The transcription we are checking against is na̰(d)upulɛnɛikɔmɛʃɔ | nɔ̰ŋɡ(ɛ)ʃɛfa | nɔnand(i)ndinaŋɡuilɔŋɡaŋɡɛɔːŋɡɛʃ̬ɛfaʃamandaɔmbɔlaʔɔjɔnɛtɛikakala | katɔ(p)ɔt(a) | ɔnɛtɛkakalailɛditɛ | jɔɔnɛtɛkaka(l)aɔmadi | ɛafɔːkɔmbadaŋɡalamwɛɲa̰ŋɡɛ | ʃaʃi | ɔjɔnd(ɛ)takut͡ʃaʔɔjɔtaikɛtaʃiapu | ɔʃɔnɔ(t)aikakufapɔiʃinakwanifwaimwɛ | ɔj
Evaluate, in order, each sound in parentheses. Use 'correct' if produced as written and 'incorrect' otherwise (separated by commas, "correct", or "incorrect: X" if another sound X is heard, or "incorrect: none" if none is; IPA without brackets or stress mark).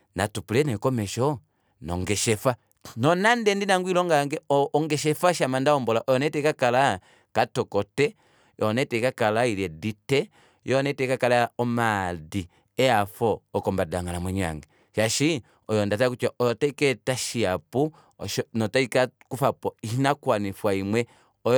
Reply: incorrect: t, correct, incorrect: ɛ, incorrect: k, incorrect: ɛ, correct, incorrect: a, correct